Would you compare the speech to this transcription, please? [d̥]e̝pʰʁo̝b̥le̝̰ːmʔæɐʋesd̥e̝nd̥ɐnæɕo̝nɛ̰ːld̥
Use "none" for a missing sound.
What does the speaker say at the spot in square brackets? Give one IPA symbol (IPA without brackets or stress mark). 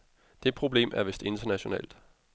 d̥